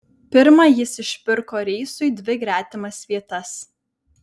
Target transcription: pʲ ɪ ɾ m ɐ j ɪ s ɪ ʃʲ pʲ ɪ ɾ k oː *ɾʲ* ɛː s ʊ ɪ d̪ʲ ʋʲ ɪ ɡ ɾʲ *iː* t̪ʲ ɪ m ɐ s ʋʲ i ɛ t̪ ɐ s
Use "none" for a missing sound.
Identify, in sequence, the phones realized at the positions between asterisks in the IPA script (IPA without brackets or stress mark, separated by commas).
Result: ɾʲ, æː